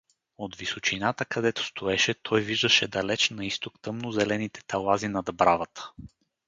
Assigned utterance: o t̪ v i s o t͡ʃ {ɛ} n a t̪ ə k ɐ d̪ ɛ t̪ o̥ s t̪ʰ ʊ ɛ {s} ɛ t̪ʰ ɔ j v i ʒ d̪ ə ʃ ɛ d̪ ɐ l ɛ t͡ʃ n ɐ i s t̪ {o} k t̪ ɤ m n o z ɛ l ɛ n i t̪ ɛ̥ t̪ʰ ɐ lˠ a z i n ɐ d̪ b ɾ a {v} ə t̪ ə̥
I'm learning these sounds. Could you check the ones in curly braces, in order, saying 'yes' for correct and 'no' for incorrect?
no, no, yes, yes

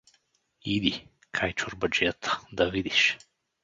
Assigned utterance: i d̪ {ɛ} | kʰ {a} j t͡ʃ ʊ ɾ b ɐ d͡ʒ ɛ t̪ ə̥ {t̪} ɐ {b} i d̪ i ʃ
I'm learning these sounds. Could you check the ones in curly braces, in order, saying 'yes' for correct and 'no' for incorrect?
no, yes, no, no

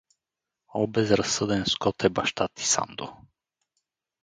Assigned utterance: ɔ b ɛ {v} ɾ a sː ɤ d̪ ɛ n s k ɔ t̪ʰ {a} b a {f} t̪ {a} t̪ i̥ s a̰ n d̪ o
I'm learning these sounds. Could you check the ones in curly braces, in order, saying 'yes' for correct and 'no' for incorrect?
no, no, no, yes

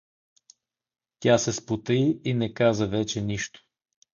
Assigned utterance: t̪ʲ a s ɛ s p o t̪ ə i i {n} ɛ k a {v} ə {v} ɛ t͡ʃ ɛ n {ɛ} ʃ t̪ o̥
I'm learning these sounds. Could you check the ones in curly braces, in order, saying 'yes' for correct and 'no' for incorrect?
yes, no, yes, no

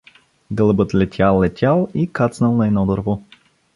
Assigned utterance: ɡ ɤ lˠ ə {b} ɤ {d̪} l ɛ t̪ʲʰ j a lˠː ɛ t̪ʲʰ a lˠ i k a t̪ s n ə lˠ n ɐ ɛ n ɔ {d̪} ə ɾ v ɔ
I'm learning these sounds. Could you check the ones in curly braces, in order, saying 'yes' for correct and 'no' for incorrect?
yes, no, yes

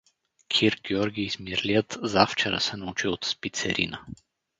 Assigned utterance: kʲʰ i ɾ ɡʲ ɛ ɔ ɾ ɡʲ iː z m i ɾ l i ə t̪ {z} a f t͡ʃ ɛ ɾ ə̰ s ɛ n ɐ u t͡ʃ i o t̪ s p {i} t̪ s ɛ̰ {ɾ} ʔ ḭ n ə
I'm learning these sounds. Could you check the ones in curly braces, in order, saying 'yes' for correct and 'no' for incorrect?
yes, yes, yes

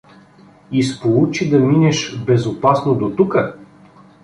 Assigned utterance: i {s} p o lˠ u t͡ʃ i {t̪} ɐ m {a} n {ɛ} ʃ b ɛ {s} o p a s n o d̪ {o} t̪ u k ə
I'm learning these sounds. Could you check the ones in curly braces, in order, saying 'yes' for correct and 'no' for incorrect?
yes, no, no, yes, no, yes

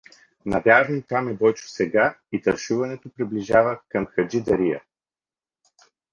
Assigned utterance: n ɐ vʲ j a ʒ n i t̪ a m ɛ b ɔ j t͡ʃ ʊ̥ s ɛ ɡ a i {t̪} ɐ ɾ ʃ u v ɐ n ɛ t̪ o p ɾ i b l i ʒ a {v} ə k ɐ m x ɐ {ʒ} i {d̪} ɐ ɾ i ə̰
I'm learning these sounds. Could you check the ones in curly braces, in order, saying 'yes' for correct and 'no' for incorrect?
yes, yes, no, yes

